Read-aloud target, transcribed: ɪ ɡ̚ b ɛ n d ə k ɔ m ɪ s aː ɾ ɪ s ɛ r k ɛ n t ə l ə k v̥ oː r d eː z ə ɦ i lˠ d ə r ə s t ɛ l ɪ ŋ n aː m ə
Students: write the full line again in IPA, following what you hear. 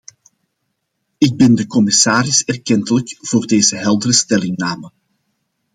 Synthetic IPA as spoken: ɪ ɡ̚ b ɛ n d ə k ɔ m ɪ s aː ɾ ɪ s ɛ r k ɛ n t ə l ə k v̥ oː r d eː z ə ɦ ɛ lˠ d ə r ə s t ɛ l ɪ ŋ n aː m ə